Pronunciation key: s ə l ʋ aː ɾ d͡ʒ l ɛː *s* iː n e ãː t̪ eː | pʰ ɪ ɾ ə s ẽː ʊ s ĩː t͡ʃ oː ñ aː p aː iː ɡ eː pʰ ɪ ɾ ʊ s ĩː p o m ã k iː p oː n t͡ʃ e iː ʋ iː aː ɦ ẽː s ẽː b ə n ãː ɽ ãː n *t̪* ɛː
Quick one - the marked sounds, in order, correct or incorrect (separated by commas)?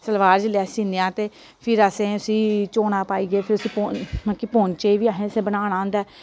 correct, incorrect